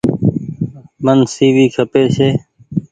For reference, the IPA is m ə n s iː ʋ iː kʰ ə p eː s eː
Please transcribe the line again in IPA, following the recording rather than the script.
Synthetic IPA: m ə n s iː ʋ iː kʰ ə p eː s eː